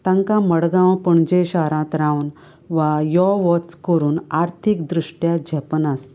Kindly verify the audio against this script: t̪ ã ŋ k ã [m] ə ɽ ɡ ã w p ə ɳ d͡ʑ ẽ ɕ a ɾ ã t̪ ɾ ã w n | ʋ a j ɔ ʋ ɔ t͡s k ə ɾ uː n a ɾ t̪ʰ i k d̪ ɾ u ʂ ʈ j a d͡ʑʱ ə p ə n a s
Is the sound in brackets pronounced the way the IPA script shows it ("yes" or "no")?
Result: yes